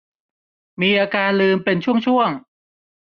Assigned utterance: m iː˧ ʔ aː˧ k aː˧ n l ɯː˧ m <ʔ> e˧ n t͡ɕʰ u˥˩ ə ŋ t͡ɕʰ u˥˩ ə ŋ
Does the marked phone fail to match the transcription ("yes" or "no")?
yes